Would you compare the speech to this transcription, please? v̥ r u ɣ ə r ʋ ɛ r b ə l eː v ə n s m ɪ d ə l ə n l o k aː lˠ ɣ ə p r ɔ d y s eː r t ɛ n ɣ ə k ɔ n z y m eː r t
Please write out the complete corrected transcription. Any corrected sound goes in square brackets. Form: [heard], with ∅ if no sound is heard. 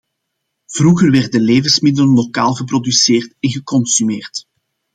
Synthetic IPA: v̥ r u ɣ ə r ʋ ɛ r [d] ə l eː v ə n s m ɪ d ə l ə n l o k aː lˠ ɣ ə p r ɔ d y s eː r t ɛ n ɣ ə k ɔ n [s] y m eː r t

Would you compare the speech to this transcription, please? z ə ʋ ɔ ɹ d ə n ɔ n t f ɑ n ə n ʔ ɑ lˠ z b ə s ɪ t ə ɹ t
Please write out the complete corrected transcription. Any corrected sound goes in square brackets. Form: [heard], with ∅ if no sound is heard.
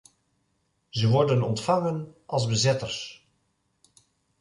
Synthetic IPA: z ə ʋ ɔ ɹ d ə n ɔ n t f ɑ [ŋ] ə n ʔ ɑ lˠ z b ə [z] ɪ t ə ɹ [s]

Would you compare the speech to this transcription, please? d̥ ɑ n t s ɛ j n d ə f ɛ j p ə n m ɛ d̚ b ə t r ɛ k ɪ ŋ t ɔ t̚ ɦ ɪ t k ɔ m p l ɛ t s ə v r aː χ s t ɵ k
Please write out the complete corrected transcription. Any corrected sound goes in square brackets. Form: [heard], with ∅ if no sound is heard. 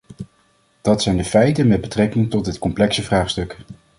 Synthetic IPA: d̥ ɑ [∅] t s ɛ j n d ə f ɛ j [t] ə n m ɛ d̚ b ə t r ɛ k ɪ ŋ t ɔ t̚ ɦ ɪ t k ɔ m p l ɛ [k] s ə v r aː χ s t ɵ k

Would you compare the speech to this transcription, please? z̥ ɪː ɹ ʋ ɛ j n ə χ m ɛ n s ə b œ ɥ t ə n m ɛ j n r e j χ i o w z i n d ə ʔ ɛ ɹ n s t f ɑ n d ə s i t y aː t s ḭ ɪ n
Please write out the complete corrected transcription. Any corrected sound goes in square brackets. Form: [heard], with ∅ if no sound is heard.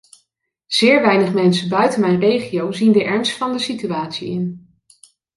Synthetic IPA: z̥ ɪː ɹ ʋ ɛ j n ə χ m ɛ n s ə b œ ɥ t ə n m ɛ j n r e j χ i o w z i n d ə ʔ ɛ ɹ n s t f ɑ n d ə s i t y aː t s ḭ ɪ n

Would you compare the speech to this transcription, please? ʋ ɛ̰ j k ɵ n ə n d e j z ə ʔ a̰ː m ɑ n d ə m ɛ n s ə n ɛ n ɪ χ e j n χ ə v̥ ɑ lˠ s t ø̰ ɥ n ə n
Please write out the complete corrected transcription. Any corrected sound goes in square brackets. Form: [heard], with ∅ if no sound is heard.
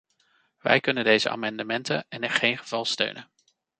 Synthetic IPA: ʋ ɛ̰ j k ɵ n ə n d e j z ə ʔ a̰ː m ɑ n d ə m ɛ n [t] ə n ɛ n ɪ χ e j n χ ə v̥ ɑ lˠ s t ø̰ ɥ n ə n

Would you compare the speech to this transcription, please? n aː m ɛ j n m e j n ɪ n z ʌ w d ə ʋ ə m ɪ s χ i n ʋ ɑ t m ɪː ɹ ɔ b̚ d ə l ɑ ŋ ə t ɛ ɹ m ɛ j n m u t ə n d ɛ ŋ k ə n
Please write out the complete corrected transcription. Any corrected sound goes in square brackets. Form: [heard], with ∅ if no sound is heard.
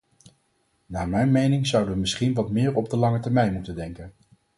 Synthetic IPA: n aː m ɛ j n m e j n ɪ [ŋ] z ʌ w d ə ʋ ə m ɪ s χ i n ʋ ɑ t m ɪː ɹ ɔ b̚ d ə l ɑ ŋ ə t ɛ ɹ m ɛ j n m u t ə n d ɛ ŋ k ə n

